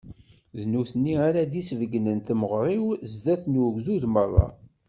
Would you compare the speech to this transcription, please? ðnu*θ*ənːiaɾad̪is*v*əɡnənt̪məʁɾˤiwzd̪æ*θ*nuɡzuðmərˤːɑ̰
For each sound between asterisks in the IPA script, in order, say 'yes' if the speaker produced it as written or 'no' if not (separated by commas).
yes, yes, yes